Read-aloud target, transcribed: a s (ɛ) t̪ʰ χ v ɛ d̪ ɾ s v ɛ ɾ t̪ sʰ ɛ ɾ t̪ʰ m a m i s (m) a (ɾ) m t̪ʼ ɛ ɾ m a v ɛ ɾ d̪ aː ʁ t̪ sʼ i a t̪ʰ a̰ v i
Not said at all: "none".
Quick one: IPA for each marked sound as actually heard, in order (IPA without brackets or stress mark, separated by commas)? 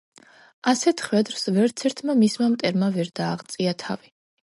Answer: ɛ, m, none